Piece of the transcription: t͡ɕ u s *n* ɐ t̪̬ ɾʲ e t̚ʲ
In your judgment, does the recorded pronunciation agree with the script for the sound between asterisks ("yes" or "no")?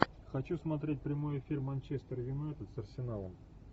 no